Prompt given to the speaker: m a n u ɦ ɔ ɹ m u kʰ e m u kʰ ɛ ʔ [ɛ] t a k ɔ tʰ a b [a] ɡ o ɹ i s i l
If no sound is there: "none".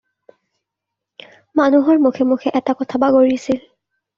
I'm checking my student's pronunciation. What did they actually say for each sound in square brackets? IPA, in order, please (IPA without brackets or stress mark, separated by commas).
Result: ɛ, a